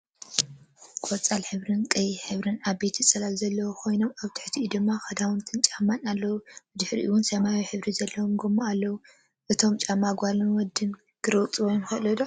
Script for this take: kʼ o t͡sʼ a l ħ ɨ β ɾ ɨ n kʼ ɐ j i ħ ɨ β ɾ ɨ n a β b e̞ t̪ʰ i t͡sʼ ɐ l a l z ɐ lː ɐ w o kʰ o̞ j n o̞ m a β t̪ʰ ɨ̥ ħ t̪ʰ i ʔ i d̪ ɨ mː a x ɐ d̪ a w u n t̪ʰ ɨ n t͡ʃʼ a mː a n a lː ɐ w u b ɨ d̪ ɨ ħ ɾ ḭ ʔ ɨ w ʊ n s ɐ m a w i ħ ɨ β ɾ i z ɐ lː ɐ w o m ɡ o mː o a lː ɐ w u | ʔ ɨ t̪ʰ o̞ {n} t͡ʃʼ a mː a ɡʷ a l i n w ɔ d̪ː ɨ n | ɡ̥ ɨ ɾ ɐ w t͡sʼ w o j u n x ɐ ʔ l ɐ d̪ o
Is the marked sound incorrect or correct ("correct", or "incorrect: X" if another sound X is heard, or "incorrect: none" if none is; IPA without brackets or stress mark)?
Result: incorrect: m